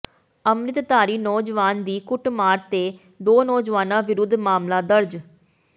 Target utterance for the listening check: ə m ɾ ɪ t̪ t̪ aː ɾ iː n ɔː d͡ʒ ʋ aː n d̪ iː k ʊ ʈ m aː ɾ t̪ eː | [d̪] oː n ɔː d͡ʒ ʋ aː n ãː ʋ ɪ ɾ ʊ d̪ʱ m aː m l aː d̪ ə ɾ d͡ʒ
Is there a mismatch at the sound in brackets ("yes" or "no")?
no